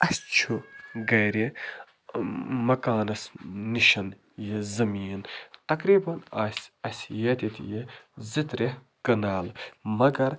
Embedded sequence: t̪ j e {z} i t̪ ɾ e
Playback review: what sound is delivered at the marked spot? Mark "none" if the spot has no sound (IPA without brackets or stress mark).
z